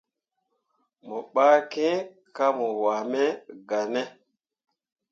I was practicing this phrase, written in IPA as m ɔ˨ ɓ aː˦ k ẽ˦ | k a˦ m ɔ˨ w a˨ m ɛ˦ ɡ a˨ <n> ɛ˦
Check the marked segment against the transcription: correct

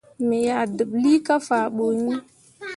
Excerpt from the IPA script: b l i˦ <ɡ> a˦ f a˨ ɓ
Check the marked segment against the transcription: incorrect: k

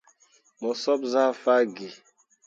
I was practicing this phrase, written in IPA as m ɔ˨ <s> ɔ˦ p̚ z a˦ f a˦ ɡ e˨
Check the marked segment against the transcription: correct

